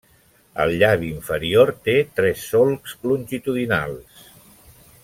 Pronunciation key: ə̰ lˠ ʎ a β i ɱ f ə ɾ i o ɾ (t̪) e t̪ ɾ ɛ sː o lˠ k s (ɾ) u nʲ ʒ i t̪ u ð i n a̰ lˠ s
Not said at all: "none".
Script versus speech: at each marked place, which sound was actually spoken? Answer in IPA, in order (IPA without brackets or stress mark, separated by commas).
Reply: t̪, l